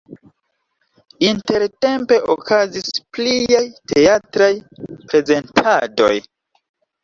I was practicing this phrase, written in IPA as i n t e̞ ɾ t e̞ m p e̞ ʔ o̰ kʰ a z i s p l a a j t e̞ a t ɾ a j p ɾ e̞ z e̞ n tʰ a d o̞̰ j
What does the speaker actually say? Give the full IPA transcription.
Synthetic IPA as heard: i n t e̞ ɾ t e̞ m p e̞ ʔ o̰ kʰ a z i s p l i a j t e̞ a t ɾ a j p ɾ e̞ z e̞ n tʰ a d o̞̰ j